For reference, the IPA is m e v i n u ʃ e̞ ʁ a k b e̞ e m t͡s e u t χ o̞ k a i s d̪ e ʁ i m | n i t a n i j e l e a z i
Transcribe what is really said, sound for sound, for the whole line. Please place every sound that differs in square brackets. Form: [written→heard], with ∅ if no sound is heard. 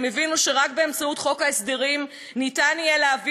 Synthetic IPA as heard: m e v i n u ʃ e̞ ʁ a k b e̞ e m t͡s [e→a] u t χ o̞ k a [i→e] s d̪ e ʁ i m | n i t a n i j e l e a [z→v] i